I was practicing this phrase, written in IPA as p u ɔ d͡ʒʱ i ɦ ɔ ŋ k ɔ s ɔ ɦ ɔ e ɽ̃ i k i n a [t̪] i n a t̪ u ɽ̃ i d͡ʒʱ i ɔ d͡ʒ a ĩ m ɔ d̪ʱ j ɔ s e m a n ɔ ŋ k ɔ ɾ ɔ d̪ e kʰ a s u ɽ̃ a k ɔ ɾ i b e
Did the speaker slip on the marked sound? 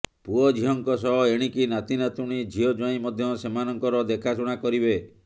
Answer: no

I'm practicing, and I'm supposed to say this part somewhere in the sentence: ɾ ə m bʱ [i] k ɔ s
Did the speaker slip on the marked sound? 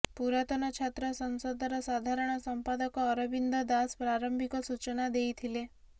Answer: no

